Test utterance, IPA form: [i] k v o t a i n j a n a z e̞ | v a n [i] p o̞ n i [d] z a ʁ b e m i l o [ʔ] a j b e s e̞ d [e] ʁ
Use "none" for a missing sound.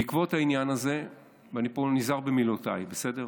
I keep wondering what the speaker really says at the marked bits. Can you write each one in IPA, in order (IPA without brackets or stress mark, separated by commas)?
i, i, none, t, e